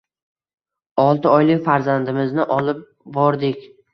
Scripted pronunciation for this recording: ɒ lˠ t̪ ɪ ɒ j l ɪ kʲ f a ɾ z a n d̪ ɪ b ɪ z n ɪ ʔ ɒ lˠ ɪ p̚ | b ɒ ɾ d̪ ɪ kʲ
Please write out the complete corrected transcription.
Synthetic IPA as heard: ɒ lˠ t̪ ɪ ɒ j l ɪ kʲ f a ɾ z a n d̪ ɪ m ɪ z n ɪ ʔ ɒ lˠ ɪ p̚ | b ɒ ɾ d̪ ɪ kʲ

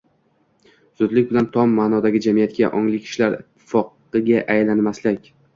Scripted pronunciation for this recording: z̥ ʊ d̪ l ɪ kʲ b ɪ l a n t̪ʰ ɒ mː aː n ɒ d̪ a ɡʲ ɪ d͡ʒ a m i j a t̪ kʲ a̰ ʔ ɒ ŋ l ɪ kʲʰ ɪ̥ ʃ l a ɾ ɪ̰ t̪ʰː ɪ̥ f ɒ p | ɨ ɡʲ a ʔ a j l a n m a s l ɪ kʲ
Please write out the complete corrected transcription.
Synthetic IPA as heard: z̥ ʊ d̪ l ɪ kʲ b ɪ l a n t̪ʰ ɒ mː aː n ɒ d̪ a ɡʲ ɪ d͡ʒ a m i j a t̪ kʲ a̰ ʔ ɒ ŋ l ɪ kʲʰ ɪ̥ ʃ l a ɾ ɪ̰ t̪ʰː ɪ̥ f ɒ q | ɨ ɡʲ a ʔ a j l a n m a s l ɪ kʲ

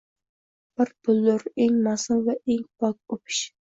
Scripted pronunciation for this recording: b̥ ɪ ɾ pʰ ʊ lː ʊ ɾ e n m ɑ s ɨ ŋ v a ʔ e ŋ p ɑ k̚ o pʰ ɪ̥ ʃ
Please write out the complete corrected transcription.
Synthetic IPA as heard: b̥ ɪ ɾ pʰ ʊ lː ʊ ɾ e ŋ m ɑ s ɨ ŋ v ɛ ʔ e ŋ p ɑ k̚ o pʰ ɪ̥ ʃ

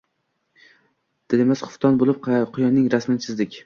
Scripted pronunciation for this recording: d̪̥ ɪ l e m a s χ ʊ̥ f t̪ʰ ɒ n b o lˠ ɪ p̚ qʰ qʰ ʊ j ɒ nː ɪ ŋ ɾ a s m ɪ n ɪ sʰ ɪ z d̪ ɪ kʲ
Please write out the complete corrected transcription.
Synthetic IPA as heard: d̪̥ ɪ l e m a s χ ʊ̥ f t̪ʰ ɒ n b o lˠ ɪ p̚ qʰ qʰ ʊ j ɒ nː ɪ ŋ ɾ a s m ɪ n ɪ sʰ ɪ z d̪ ɪ kʲ

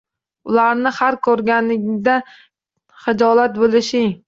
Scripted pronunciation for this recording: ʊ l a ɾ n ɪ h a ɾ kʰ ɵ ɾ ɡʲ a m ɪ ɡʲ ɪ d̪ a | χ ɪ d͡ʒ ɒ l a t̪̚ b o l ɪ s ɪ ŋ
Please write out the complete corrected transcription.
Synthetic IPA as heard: ʊ l a ɾ n ɪ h a ɾ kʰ ɵ ɾ ɡʲ a n ɪ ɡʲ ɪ d̪ a | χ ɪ d͡ʒ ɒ l a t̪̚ b o l ɪ ʃ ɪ ŋ

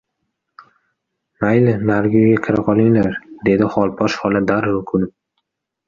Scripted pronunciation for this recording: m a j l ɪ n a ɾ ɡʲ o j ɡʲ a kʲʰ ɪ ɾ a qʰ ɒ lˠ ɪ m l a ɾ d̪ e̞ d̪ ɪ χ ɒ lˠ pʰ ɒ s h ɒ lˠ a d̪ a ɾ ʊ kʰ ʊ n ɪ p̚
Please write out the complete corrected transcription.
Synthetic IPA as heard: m a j l ɪ n a ɾ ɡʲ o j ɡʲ a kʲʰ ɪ ɾ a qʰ ɒ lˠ ɪ ŋ l a ɾ d̪ e̞ d̪ ɪ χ ɒ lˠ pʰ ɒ ʃ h ɒ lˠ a d̪ a ɾ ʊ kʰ ʊ n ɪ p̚

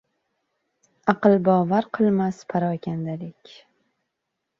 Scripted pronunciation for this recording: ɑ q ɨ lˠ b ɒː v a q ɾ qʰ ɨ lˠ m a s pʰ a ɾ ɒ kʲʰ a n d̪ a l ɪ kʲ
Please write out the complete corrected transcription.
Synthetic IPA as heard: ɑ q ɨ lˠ b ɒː v a ɾ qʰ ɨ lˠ m a s pʰ a ɾ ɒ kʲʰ a n d̪ a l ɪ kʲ

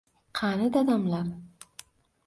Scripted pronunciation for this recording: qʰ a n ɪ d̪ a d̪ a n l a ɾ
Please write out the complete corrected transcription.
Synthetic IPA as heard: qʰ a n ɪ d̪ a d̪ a m l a ɾ

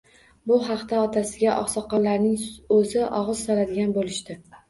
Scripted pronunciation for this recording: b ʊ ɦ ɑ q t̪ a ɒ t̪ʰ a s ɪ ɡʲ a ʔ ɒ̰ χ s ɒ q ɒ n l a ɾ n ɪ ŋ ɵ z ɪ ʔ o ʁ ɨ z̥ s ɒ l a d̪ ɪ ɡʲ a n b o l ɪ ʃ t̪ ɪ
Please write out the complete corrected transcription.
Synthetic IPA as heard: b ʊ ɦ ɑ q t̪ a ɒ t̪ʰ a s ɪ ɡʲ a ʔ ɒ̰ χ s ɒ q ɒ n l a ɾ n ɪ ŋ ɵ z ɪ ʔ ɒ ʁ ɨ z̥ s ɒ l a d̪ ɪ ɡʲ a n b o l ɪ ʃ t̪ ɪ

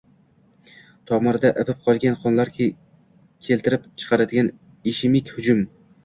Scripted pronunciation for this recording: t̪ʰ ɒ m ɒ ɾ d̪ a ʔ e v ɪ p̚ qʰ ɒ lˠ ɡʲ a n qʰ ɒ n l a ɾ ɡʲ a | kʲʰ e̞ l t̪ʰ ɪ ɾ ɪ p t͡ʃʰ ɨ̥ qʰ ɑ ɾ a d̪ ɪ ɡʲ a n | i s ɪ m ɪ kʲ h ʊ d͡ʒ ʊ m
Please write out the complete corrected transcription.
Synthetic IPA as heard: t̪ʰ ɒ m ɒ ɾ d̪ a ʔ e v ɪ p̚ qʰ ɒ lˠ ɡʲ a n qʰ ɒ n l a ɾ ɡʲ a | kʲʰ e̞ l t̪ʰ ɪ ɾ ɪ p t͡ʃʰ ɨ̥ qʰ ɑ ɾ a d̪ ɪ ɡʲ a n | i ʃ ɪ m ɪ kʲ h ʊ d͡ʒ ʊ m

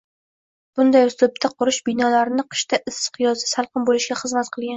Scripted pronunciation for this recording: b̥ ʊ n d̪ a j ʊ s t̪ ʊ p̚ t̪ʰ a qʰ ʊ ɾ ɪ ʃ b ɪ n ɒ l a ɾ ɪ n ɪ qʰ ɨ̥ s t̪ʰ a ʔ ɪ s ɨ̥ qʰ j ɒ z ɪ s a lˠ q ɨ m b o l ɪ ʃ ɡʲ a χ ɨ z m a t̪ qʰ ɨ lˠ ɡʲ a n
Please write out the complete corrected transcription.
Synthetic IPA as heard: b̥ ʊ n d̪ a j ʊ s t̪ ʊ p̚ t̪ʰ a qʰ ʊ ɾ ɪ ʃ b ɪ n ɒ l a ɾ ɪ n ɪ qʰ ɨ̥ ʃ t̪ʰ a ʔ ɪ s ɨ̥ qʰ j ɒ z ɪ s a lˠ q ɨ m b o l ɪ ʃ ɡʲ a χ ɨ z m a t̪ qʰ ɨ lˠ ɡʲ a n

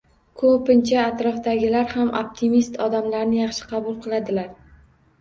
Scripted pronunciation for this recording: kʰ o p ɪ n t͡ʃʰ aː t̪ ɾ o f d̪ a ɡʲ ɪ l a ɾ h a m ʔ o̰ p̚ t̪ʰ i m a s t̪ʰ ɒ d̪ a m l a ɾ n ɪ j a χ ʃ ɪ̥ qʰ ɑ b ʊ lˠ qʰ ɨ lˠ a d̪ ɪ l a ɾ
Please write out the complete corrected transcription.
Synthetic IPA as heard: kʰ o p ɪ n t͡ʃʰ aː t̪ ɾ ɒ f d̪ a ɡʲ ɪ l a ɾ h a m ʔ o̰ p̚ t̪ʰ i m i s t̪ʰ ɒ d̪ a m l a ɾ n ɪ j ɑ χ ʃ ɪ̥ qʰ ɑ b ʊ lˠ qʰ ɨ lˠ a d̪ ɪ l a ɾ

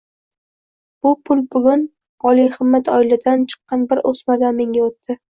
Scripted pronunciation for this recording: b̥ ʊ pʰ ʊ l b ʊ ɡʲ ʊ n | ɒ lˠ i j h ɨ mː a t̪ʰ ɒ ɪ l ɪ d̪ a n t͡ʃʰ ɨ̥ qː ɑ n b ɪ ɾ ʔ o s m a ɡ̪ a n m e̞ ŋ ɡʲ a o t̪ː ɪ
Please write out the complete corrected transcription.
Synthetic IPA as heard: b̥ ʊ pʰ ʊ l b ʊ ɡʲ ʊ n | ɒ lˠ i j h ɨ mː a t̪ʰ ɒ ɪ l ɪ d̪ a n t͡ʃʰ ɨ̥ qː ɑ n b ɪ ɾ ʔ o s m a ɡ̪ a n m e̞ ŋ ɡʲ a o t̪ː ɪ

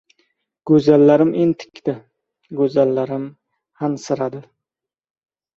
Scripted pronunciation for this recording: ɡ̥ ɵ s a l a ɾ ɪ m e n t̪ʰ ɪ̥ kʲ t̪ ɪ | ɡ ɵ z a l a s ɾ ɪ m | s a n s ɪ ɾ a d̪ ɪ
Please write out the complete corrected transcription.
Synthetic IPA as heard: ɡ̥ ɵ z a lː a ɾ ɪ m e n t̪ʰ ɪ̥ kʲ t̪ ɪ | ɡ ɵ z a lː a ɾ ɪ m | h a n s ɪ ɾ a d̪ ɪ

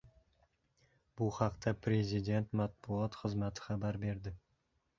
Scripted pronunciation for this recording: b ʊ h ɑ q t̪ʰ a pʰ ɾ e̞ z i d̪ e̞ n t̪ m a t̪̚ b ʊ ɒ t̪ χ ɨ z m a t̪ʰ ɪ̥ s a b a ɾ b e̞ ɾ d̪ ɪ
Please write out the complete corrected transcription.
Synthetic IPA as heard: b ʊ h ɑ q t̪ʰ a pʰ ɾ e̞ z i d̪ e̞ n t̪ m a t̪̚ b ʊ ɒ t̪ χ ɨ z m a t̪ʰ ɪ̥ χ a b a ɾ b e̞ ɾ d̪ ɪ

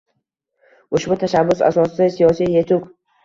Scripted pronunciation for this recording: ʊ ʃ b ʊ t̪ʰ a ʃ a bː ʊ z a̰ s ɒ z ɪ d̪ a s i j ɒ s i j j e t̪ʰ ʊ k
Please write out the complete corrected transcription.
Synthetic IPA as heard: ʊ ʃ b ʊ t̪ʰ a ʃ a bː ʊ s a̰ s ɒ s ɪ d̪ a s i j ɒ s i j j e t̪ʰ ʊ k

